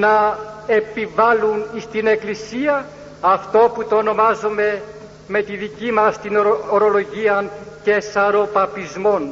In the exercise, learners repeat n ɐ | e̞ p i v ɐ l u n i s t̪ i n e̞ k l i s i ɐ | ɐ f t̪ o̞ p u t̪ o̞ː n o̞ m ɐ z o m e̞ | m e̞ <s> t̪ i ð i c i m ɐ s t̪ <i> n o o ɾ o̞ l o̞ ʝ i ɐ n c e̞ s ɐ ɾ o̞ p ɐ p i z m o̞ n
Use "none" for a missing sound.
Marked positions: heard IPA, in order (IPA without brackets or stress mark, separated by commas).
none, i